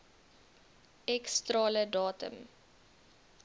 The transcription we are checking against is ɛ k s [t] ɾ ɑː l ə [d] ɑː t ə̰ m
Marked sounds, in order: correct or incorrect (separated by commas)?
correct, correct